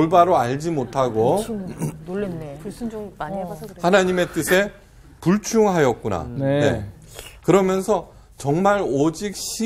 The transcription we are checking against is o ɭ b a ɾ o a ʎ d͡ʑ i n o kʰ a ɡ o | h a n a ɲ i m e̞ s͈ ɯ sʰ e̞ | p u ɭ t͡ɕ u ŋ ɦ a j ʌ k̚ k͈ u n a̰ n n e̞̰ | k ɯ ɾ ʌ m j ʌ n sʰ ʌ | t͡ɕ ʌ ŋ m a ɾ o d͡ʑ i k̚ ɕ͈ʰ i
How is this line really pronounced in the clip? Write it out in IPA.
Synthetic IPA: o ɭ b a ɾ o a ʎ d͡ʑ i m o tʰ a ɡ o | h a n a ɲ i m e̞ t͈ ɯ sʰ e̞ | p u ɭ t͡ɕʰ u ŋ ɦ a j ʌ k̚ k͈ u n a̰ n n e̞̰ | k ɯ ɾ ʌ m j ʌ n sʰ ʌ | t͡ɕ ʌ ŋ m a ɾ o d͡ʑ i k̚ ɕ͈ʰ i

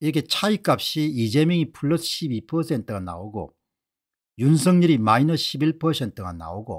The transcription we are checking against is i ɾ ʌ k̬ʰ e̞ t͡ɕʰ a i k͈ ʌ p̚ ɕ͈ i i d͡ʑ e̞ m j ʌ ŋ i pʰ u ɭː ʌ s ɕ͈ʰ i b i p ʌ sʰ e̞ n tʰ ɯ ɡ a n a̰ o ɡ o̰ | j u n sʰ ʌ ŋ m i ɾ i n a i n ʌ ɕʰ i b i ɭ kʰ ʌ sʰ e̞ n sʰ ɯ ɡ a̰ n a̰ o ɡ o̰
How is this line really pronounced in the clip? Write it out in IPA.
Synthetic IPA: i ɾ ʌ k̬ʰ e̞ t͡ɕʰ a i k͈ a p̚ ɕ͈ i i d͡ʑ e̞ m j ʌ ŋ i pʰ u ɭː ʌ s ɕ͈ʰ i b i pʰ ʌ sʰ e̞ n tʰ ɯ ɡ a n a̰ o ɡ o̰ | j u n sʰ ʌ ŋ ɲ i ɾ i m a i n ʌ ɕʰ i b i ɭ pʰ ʌ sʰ e̞ n tʰ ɯ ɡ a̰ n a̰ o ɡ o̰

